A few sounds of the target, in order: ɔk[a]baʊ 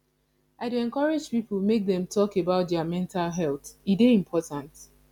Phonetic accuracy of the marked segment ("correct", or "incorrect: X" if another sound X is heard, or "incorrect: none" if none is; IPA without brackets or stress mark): incorrect: e